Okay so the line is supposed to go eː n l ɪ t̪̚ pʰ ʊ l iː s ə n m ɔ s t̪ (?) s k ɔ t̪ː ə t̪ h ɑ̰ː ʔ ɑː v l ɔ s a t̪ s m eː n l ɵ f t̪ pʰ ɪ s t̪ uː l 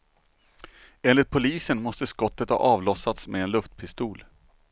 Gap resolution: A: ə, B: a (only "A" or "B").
A